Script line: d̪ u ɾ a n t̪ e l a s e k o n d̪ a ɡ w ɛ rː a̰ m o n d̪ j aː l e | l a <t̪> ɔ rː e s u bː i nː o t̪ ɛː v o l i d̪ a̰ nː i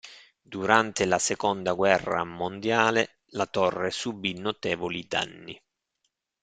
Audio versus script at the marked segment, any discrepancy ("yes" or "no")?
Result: no